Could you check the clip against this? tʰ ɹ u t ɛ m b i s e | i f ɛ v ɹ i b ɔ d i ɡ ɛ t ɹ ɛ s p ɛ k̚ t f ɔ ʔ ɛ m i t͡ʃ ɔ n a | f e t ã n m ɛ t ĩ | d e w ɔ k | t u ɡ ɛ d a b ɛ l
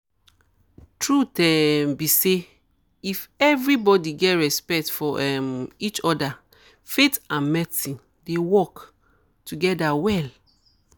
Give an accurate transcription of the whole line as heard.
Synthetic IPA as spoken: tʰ ɹ u t ɛ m b i s e | i f ɛ v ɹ i b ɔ d i ɡ ɛ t ɹ ɛ s p ɛ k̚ t f ɔ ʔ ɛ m i t͡ʃ ɔ d a | f e t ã n m ɛ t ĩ | d e w ɔ k | t u ɡ ɛ d a w ɛ l